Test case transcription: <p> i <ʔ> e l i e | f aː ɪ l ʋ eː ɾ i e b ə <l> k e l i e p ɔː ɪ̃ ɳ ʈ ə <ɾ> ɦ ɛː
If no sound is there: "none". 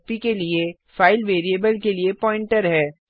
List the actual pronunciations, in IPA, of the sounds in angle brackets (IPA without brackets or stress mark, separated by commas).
p, k, l, ɾ